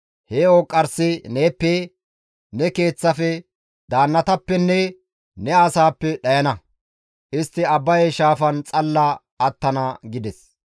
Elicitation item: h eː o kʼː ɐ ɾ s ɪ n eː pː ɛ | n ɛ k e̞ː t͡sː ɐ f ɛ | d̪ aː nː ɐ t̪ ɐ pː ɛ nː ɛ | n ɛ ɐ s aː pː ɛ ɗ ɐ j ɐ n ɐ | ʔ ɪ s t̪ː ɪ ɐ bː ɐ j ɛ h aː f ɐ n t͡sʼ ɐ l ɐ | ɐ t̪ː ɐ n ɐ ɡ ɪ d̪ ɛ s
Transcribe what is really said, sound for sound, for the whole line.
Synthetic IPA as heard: h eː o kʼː ɐ ɾ s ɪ n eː pː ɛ | n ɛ k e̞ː t͡sː ɐ f ɛ | d̪ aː nː ɐ t̪ ɐ pː ɛ nː ɛ | n ɛ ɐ s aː pː ɛ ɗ ɐ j ɐ n ɐ | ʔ ɪ s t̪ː ɪ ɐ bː ɐ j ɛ ʃ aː f ɐ n t͡sʼ ɐ lː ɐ | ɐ t̪ː ɐ n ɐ ɡ ɪ d̪ ɛ s